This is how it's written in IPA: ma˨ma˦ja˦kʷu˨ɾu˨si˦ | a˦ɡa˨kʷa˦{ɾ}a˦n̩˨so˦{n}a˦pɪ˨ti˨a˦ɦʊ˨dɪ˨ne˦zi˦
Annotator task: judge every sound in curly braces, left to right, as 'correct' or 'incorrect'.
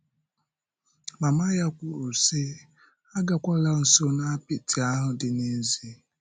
incorrect: l, correct

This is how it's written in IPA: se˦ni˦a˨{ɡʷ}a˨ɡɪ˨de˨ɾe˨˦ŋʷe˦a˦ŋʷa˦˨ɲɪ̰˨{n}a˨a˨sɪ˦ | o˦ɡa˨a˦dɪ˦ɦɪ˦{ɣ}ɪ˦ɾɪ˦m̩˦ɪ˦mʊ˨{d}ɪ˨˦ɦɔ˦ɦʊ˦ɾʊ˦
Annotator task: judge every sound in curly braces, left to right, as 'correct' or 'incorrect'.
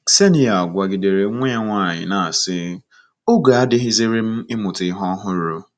correct, correct, incorrect: z, incorrect: t

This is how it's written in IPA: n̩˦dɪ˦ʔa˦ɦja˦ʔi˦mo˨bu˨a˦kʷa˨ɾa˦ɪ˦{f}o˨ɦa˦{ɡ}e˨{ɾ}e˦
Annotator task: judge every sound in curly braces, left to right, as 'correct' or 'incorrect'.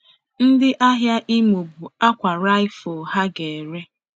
correct, correct, correct

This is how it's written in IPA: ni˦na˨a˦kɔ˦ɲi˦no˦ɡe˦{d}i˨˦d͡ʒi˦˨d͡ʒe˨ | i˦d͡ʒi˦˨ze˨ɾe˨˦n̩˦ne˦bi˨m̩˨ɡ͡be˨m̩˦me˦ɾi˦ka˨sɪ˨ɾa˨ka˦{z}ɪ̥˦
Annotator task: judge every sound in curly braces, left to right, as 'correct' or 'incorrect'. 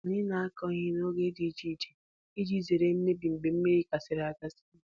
correct, incorrect: s

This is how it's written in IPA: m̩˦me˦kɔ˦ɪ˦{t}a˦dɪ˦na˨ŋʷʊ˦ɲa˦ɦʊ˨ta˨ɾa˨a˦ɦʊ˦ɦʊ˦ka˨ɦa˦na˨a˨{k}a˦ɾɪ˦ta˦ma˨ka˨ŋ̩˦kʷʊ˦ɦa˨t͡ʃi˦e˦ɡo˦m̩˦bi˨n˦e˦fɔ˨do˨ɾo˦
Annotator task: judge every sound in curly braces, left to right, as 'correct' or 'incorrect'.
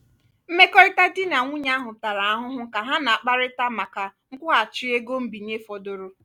correct, incorrect: k͡p

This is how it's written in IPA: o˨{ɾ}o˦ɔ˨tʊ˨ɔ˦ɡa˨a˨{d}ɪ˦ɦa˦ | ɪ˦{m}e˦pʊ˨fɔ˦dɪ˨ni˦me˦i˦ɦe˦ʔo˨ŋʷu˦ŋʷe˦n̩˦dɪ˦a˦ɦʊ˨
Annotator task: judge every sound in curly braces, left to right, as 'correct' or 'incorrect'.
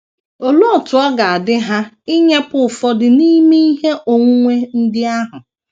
incorrect: l, correct, incorrect: ɲ

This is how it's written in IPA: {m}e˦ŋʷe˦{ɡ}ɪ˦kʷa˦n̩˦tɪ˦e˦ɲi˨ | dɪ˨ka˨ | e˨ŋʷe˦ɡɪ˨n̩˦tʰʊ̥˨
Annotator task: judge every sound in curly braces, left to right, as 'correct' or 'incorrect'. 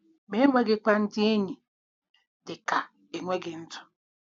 correct, correct

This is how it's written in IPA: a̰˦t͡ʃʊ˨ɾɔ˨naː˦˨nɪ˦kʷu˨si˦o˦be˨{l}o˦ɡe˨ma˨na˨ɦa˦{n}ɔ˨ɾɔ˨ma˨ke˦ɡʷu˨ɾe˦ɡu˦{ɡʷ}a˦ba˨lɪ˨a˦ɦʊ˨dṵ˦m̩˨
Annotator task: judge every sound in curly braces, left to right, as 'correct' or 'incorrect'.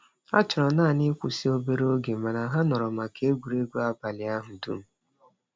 incorrect: ɾ, correct, incorrect: none

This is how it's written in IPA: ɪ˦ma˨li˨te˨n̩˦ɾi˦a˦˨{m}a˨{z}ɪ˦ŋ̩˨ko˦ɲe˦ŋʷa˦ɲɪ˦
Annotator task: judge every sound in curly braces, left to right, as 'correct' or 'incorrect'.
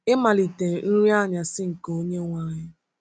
incorrect: ɲ, incorrect: s

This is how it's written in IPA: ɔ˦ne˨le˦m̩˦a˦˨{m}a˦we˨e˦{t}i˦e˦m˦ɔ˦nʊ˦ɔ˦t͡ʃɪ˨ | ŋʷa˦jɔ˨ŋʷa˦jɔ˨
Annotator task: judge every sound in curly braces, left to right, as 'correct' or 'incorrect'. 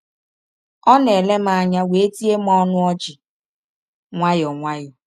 incorrect: ɲ, correct

